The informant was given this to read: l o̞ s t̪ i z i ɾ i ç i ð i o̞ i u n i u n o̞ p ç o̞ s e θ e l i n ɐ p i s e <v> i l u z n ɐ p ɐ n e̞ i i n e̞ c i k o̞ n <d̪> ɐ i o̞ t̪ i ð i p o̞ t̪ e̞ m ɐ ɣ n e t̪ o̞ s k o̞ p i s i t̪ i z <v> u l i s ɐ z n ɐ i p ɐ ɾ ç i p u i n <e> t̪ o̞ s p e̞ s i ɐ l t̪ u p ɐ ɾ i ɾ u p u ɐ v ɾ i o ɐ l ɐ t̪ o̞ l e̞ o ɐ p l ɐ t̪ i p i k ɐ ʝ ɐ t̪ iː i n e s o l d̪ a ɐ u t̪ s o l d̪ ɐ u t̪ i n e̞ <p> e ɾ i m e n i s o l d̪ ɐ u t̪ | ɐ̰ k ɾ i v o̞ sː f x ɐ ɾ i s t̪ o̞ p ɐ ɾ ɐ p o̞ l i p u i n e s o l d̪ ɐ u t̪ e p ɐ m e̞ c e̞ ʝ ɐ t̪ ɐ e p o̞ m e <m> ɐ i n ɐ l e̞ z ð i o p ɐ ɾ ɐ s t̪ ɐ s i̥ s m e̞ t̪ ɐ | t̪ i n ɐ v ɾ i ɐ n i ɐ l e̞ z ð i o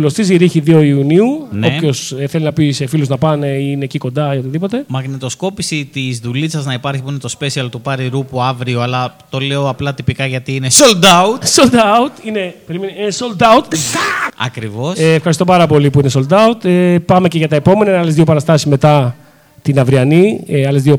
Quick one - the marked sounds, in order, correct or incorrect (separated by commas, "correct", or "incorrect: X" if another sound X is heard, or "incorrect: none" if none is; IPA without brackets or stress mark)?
incorrect: f, correct, incorrect: ð, correct, correct, incorrect: n